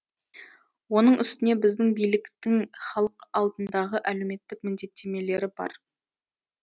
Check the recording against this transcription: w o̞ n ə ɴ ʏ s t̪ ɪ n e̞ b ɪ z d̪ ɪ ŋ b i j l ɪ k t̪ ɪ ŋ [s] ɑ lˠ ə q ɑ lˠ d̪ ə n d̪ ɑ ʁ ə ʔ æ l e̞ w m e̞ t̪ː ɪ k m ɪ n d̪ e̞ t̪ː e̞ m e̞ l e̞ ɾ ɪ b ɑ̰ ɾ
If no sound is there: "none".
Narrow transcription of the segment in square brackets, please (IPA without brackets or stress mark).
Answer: χ